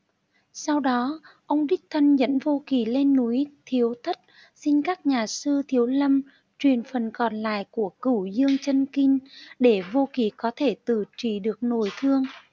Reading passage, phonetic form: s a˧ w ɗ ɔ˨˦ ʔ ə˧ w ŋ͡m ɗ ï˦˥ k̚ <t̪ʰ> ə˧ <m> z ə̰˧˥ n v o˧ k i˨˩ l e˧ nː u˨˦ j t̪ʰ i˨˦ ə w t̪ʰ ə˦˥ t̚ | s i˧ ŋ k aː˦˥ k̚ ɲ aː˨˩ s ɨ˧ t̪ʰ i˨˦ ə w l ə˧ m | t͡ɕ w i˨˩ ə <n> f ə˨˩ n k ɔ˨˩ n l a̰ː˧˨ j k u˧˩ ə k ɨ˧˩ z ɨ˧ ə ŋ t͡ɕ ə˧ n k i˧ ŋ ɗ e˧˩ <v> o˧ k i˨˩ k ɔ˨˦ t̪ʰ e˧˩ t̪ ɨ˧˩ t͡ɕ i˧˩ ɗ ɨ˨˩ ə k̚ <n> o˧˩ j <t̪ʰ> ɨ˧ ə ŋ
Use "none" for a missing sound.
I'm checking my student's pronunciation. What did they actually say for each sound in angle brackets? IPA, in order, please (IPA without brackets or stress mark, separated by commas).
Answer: t̪ʰ, n, n, v, n, t̪ʰ